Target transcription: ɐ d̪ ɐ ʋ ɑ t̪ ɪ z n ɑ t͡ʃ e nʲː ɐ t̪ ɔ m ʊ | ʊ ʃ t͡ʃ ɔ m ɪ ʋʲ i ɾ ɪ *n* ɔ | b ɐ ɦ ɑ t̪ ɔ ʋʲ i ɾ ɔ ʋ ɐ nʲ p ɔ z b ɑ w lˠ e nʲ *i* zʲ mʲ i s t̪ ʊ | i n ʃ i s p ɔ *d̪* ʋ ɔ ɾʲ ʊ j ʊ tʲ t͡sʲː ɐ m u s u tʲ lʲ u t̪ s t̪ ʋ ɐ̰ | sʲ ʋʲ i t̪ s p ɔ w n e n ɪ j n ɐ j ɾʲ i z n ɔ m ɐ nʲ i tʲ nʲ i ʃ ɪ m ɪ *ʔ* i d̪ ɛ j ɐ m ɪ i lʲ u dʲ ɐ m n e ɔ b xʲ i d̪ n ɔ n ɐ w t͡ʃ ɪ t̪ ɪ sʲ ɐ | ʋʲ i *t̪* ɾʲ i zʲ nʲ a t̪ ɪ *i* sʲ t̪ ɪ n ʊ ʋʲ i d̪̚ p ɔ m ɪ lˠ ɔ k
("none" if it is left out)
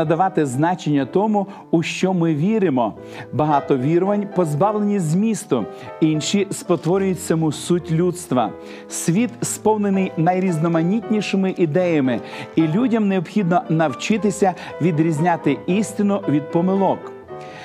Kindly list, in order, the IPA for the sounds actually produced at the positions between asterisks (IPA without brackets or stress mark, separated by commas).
m, i, t̪, ʔ, d̪, i